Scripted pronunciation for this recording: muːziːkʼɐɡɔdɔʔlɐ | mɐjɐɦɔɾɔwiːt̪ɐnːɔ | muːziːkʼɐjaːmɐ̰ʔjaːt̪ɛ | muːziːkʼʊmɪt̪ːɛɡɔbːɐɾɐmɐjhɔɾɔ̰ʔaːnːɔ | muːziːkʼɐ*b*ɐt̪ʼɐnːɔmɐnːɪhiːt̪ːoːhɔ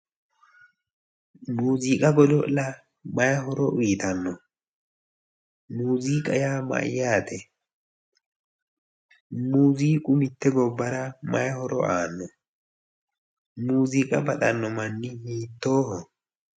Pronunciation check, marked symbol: correct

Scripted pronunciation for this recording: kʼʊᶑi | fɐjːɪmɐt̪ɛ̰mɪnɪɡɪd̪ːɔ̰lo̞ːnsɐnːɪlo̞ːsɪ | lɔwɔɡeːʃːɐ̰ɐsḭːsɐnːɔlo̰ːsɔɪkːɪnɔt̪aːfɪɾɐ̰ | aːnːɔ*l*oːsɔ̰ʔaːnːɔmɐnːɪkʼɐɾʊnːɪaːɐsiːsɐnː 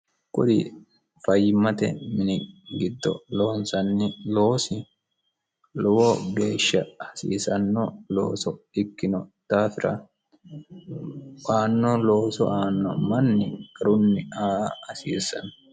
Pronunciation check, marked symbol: correct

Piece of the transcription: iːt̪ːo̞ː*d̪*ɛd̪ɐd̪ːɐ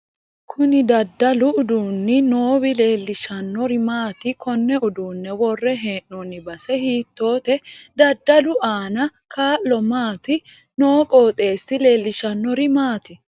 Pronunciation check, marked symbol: incorrect: t̪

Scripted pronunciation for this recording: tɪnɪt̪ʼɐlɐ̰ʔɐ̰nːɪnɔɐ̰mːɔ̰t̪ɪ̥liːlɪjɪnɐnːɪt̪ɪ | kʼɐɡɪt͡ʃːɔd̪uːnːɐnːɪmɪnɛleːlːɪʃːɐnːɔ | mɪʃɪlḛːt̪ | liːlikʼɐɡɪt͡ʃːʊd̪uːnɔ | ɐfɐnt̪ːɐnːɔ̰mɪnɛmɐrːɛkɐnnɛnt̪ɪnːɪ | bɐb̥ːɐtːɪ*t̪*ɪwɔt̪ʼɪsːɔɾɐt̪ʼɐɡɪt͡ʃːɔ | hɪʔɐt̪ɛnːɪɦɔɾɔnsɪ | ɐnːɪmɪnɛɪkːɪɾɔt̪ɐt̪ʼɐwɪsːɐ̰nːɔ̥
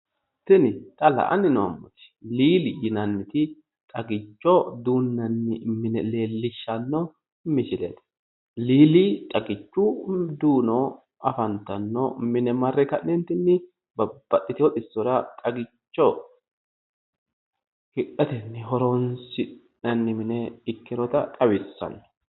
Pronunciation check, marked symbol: correct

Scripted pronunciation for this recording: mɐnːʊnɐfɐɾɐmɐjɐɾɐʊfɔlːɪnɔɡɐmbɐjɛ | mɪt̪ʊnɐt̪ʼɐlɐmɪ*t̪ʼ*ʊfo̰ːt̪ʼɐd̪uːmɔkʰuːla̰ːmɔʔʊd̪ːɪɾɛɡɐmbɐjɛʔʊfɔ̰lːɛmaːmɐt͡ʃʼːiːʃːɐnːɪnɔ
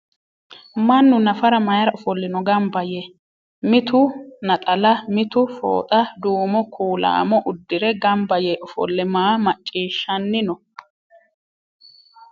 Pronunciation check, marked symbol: incorrect: t̪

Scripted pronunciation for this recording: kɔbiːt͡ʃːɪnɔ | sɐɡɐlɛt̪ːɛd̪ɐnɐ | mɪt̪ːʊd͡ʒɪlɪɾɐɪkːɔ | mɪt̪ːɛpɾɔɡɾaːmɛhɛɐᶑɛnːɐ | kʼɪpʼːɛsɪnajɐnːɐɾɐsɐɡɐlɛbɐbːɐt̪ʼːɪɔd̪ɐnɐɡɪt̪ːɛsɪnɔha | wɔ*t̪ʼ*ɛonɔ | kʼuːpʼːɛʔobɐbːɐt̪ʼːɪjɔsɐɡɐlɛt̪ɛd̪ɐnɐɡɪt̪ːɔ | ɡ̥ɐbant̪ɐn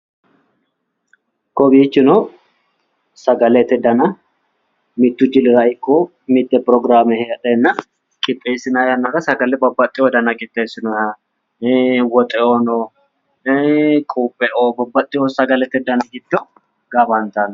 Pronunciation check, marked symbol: correct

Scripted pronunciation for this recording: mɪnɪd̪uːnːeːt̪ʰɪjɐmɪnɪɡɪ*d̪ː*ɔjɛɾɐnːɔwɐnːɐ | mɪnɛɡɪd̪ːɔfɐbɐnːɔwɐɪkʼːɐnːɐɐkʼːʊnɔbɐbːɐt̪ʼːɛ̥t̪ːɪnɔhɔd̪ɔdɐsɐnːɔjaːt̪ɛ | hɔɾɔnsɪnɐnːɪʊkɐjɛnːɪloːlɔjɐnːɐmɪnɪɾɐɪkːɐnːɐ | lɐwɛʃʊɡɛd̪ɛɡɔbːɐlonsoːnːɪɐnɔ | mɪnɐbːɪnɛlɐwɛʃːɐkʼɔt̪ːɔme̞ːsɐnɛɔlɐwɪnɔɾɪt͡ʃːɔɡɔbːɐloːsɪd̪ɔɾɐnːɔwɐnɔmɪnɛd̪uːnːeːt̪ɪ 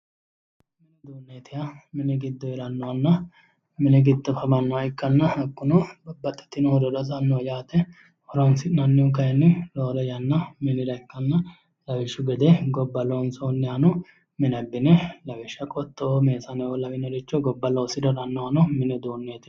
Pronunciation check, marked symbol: correct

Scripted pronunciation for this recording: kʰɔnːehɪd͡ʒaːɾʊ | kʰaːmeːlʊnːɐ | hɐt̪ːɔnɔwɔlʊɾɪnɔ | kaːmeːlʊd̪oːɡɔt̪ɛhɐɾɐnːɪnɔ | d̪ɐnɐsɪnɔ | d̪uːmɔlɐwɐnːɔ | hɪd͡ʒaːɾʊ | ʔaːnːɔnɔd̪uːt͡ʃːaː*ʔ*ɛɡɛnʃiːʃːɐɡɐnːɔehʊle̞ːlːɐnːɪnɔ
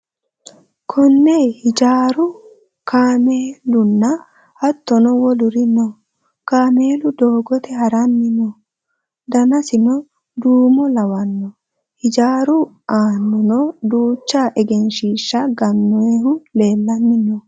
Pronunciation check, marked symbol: correct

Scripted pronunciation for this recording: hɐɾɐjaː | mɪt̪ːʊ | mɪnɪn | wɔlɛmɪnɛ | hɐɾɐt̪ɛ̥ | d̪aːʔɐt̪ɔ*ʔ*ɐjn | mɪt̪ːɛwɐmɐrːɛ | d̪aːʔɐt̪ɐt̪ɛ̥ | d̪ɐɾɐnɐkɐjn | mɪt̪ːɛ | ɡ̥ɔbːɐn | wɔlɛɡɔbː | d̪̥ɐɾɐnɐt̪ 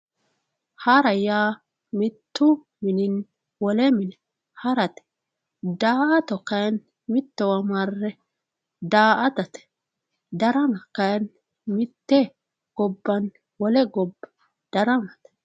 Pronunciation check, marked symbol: incorrect: k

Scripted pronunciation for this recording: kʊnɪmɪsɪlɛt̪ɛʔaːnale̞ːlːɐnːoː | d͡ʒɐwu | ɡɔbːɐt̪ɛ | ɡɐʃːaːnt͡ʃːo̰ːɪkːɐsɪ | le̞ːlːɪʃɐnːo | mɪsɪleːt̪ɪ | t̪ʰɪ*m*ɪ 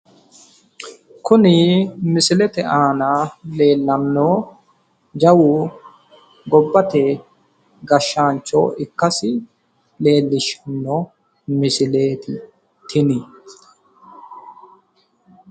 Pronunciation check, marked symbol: incorrect: n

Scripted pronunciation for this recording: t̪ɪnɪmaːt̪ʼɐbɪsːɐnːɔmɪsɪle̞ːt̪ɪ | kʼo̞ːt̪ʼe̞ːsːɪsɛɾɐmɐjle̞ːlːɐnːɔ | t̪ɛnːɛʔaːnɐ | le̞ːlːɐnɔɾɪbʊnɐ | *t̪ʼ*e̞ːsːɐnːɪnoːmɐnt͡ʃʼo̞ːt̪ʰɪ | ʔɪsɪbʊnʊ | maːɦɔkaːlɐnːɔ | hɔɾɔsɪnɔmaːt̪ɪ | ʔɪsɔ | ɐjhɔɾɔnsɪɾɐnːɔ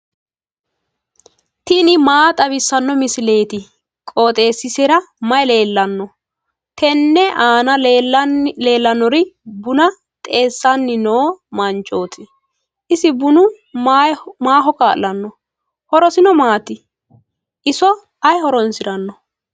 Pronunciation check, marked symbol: correct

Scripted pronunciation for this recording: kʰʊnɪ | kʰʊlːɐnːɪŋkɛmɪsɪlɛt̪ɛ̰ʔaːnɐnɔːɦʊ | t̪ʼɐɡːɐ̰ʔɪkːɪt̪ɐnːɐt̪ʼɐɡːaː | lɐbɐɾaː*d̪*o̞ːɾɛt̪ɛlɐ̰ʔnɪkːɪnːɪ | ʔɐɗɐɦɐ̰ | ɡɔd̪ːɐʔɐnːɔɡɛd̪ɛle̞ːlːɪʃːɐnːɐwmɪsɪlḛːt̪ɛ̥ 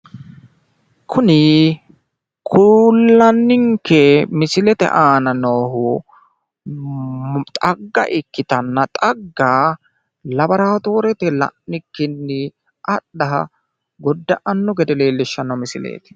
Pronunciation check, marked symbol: incorrect: t̪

